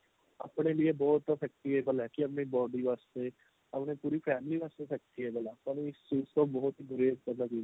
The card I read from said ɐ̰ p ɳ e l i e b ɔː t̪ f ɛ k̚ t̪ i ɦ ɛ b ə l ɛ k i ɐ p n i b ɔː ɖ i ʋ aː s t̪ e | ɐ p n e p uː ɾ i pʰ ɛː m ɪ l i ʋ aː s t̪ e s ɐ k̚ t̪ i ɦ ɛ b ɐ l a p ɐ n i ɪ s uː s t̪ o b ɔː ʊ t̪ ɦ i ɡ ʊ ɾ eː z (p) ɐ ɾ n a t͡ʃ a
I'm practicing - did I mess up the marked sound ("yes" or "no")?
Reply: yes